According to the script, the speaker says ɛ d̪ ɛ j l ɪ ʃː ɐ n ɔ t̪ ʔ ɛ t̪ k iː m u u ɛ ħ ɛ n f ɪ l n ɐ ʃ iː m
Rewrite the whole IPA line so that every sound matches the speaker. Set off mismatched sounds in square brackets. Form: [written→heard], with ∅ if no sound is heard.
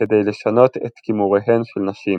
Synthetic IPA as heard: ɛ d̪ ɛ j l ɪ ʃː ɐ n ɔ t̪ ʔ ɛ t̪ k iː m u [u→w] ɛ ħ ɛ n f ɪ l n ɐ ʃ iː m